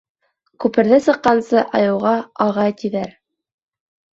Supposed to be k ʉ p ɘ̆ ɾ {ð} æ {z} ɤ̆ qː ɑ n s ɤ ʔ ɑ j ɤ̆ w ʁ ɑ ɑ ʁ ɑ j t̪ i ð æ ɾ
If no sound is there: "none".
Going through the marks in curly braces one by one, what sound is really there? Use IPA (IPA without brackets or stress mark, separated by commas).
ð, s